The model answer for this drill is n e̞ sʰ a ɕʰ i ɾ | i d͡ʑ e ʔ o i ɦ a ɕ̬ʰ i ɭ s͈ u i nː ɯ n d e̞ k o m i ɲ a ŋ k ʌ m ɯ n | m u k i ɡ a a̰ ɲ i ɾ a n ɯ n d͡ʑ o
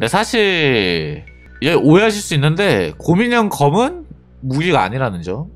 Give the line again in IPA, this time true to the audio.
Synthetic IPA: n e̞ sʰ a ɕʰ i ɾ | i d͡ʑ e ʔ o e ɦ a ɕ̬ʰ i ɭ s͈ u i nː ɯ n d e̞ k o m i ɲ ʌ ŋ k ʌ m ɯ n | m u ɡ i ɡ a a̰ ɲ i ɾ a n ɯ n d͡ʑ o